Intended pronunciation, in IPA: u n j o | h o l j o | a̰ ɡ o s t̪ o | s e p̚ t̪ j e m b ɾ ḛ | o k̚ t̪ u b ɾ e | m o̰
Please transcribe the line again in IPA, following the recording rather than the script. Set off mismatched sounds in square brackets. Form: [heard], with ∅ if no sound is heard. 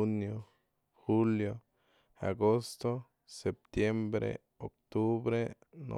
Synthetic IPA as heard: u n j o | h [u] l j o | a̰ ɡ o s t̪ o | s e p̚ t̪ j e m b ɾ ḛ | o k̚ t̪ u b ɾ e | [n] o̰

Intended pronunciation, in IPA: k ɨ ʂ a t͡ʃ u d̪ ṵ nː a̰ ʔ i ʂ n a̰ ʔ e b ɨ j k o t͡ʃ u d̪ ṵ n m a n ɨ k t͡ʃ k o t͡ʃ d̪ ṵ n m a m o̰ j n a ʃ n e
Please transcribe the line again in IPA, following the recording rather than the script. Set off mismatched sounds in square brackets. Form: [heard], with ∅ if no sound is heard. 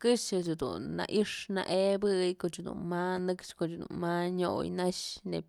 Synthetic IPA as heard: k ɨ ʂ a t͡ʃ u d̪ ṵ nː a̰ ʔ i ʂ n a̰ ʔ e b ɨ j k o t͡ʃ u d̪ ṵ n m a n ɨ k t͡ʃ k o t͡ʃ d̪ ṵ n m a [ɲ] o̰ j n a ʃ n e

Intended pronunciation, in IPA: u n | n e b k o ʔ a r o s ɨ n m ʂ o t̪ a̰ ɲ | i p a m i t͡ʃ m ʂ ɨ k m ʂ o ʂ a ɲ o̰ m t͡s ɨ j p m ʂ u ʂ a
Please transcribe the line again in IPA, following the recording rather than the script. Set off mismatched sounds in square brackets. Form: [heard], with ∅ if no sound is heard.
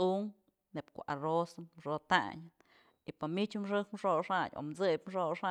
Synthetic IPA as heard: u [ŋ] | n e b k o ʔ a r o s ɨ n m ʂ o t̪ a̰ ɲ | i p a m i t͡ʃ m ʂ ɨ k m ʂ o ʂ a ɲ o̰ m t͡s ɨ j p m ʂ [o] ʂ a

